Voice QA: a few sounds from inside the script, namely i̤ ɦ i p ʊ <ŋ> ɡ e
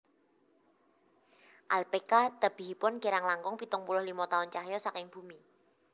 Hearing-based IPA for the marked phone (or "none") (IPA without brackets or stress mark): n